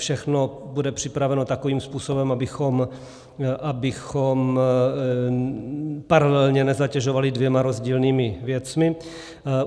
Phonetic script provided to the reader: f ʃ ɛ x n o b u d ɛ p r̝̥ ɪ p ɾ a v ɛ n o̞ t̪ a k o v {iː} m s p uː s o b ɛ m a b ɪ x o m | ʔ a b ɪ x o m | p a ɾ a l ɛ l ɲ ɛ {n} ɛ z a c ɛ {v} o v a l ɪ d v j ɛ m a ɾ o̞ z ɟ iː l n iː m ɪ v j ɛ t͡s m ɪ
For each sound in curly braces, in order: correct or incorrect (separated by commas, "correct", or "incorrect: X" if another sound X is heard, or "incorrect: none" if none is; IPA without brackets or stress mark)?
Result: correct, correct, incorrect: ʒ